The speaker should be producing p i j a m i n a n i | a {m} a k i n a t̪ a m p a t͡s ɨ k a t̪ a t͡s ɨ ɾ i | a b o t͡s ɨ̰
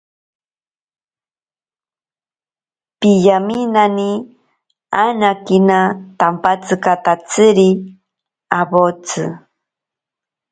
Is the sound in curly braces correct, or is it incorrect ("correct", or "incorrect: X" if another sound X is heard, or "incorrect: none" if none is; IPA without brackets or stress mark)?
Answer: incorrect: n